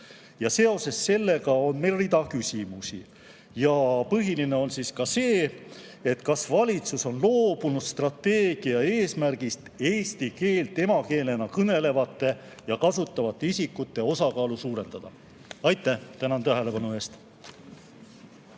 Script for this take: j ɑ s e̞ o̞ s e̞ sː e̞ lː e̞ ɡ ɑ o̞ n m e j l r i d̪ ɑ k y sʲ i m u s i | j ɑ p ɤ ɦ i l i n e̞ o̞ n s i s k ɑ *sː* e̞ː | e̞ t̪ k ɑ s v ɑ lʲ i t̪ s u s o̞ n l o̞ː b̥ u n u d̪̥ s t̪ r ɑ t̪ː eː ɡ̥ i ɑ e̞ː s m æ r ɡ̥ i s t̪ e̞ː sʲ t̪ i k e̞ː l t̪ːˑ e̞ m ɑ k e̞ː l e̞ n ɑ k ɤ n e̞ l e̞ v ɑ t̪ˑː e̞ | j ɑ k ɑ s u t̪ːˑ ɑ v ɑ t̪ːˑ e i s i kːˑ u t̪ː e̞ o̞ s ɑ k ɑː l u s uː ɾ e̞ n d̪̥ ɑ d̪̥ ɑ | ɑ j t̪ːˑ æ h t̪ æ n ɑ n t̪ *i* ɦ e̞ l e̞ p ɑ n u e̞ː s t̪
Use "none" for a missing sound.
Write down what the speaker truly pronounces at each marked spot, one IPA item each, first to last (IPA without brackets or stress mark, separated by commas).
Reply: s, æ